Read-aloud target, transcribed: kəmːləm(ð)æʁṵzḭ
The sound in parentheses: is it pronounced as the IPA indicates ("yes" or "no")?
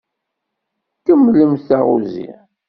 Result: no